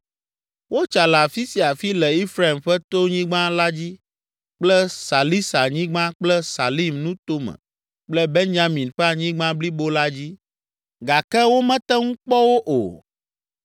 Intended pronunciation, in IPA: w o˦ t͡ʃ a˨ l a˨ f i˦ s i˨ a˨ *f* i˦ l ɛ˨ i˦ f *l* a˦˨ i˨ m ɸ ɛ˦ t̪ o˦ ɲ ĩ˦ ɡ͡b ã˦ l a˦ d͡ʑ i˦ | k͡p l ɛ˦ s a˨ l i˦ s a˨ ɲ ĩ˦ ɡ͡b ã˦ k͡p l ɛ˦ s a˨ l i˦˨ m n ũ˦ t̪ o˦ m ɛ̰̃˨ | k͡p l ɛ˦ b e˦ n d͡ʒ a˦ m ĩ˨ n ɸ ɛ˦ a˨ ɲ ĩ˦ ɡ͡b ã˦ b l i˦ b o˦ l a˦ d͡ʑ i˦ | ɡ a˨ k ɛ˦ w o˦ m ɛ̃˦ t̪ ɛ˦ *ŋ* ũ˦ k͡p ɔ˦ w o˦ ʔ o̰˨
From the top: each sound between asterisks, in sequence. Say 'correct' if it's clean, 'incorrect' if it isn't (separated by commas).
correct, incorrect, correct